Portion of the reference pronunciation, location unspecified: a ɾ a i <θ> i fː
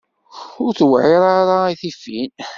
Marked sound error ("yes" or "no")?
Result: no